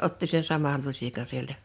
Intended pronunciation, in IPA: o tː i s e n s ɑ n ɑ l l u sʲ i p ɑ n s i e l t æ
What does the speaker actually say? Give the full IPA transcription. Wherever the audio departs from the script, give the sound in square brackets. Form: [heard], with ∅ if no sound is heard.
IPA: o tː i s e n s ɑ [m] ɑ l l u sʲ i [k] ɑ n s i e l t æ